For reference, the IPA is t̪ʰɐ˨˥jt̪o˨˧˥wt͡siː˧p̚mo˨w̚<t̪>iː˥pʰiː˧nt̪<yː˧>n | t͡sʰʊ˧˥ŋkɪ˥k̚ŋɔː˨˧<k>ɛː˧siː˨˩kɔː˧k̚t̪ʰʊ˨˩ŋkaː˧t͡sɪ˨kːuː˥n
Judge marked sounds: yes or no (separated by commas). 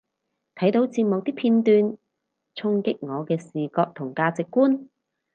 yes, yes, yes